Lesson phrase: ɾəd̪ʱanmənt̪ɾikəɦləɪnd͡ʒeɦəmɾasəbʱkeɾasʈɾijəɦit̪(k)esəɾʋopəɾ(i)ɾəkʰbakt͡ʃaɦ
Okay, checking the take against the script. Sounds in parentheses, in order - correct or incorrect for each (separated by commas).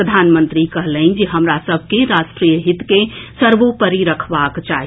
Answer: correct, correct